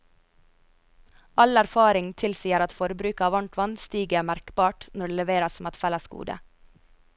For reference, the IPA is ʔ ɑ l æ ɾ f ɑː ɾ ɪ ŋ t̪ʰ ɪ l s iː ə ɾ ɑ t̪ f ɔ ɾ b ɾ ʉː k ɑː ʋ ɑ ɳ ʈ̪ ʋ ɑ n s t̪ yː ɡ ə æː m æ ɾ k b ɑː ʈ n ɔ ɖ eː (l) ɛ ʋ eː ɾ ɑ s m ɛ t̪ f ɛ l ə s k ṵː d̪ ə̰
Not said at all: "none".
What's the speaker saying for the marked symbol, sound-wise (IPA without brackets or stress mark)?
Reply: l